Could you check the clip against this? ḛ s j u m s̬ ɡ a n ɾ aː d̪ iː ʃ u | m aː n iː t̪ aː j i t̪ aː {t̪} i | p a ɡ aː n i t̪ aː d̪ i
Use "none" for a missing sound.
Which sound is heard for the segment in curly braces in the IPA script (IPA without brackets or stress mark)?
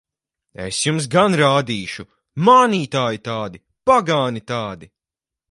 d̪